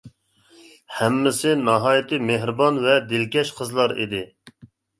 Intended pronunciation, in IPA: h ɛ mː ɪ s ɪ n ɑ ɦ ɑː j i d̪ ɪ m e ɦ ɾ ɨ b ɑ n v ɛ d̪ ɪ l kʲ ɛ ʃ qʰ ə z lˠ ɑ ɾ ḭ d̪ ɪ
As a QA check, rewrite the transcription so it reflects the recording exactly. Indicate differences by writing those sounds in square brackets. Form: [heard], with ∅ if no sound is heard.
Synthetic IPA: h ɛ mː ɪ s ɪ n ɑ ɦ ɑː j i [t̪] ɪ m e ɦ ɾ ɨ b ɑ n v ɛ d̪ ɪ l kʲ ɛ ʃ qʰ ə z lˠ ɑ ɾ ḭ d̪ ɪ